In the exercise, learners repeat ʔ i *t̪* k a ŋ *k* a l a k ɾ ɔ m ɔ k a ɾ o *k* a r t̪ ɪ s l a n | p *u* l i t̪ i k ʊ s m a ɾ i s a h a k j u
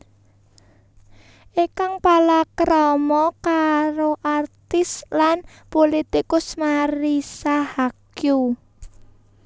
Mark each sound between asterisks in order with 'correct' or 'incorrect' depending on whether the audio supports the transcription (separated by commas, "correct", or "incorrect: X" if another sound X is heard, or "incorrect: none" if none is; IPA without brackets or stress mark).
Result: incorrect: none, incorrect: p, incorrect: ʔ, incorrect: o